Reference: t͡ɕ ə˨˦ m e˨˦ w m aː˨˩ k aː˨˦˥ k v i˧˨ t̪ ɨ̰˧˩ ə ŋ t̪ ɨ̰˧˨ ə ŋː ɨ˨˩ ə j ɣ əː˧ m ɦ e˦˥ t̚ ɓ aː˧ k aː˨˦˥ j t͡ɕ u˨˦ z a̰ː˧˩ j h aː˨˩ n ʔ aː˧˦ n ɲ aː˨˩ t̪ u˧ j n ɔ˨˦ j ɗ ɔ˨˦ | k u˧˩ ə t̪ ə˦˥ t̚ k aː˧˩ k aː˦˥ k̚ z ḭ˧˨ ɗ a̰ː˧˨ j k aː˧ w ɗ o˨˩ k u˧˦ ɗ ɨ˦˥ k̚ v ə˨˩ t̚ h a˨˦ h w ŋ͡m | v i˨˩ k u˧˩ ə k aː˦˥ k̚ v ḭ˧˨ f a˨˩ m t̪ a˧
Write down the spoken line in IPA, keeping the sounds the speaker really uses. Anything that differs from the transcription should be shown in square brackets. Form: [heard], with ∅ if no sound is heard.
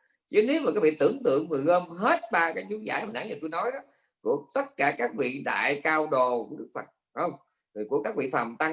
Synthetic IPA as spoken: t͡ɕ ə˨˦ [n] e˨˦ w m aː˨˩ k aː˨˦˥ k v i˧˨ t̪ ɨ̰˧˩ ə ŋ t̪ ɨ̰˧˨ ə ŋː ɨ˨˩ ə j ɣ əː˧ m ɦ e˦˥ t̚ ɓ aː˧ k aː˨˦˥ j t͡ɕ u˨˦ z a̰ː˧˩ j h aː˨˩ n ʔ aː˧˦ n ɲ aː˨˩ t̪ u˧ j n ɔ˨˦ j ɗ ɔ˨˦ | k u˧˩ ə t̪ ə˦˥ t̚ k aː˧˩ k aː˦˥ k̚ [v] ḭ˧˨ ɗ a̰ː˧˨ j k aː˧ w ɗ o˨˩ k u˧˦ ɗ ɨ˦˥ k̚ [f] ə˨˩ t̚ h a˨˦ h w ŋ͡m | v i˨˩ k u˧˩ ə k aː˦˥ k̚ v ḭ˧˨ f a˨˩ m t̪ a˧